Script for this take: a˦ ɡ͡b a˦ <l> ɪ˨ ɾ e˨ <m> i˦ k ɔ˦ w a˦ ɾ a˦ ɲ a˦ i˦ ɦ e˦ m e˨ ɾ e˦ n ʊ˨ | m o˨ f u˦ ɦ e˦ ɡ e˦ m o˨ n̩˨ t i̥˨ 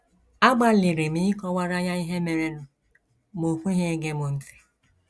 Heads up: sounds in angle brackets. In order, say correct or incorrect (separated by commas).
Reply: correct, correct